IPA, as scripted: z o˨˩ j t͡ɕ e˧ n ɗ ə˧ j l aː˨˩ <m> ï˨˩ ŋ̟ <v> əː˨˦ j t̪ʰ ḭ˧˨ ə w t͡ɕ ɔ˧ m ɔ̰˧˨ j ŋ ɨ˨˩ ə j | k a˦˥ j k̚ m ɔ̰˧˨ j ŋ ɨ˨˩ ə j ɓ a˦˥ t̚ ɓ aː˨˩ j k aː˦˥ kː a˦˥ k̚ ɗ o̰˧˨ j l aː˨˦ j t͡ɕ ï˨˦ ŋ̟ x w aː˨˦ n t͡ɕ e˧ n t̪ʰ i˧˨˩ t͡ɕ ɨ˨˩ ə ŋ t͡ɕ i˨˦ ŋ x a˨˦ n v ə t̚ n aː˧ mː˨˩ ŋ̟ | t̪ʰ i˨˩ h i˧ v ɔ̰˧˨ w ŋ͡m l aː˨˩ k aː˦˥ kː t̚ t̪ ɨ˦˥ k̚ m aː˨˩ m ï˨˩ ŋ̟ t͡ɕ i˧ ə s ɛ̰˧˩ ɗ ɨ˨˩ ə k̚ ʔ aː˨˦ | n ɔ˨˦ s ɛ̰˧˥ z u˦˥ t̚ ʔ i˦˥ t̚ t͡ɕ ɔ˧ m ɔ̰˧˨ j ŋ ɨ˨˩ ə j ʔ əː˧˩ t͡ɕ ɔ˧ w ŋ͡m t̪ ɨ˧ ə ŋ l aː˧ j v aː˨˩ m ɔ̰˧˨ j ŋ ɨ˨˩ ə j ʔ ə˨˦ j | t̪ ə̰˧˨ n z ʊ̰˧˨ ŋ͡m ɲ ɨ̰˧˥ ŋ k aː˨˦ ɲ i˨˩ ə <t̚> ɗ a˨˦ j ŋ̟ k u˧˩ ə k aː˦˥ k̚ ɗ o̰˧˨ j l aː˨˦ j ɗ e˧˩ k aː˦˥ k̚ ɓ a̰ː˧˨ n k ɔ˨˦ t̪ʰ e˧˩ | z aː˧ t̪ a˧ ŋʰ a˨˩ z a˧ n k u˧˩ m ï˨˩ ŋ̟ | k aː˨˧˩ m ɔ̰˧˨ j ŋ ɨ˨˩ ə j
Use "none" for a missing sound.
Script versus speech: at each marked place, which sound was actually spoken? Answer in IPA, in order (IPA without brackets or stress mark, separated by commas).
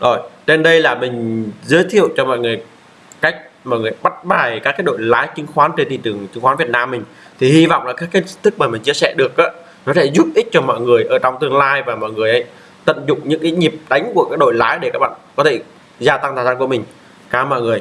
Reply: m, z, p̚